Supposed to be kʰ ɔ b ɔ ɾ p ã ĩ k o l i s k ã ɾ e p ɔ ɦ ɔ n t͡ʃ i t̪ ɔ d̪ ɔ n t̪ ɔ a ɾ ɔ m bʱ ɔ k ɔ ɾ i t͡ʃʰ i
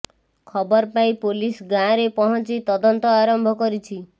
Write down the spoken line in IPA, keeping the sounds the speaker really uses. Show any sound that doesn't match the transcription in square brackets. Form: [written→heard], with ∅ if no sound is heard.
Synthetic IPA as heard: kʰ ɔ b ɔ ɾ p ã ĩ [k→p] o l i s [k→ɡ] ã ɾ e p ɔ ɦ ɔ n t͡ʃ i t̪ ɔ d̪ ɔ n t̪ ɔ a ɾ ɔ m bʱ ɔ k ɔ ɾ i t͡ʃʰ i